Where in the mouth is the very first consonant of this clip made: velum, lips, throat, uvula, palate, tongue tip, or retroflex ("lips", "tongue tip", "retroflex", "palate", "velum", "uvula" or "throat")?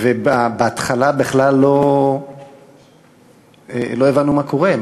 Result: lips